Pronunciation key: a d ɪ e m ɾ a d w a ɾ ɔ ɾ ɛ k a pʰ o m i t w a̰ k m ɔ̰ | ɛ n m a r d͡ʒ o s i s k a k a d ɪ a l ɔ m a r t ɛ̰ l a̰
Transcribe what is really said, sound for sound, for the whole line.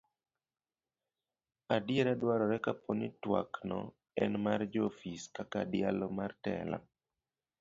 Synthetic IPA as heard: a d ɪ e ɾ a d w a ɾ ɔ ɾ ɛ k a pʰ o n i t w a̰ k n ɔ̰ | ɛ n m a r d͡ʒ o f i s k a k a d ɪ a l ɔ m a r t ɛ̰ l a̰